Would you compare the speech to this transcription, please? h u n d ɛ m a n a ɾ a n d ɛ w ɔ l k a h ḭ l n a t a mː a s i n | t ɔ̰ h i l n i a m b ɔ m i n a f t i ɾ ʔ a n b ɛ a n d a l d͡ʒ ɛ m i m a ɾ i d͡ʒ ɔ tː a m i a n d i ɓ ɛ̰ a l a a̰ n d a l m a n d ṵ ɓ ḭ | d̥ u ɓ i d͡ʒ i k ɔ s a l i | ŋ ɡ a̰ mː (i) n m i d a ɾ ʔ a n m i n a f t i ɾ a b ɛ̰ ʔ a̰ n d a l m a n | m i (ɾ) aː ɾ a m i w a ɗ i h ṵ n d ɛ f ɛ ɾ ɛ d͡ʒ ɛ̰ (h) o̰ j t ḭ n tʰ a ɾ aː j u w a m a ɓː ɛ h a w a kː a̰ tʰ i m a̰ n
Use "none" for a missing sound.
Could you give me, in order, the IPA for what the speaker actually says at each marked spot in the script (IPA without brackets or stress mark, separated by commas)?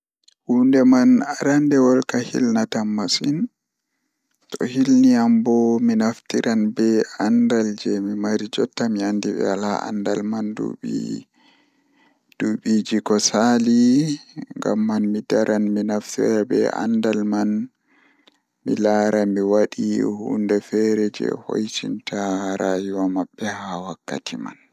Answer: a, l, h